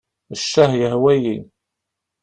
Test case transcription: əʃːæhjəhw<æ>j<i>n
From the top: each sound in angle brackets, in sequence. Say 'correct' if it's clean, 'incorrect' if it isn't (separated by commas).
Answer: correct, correct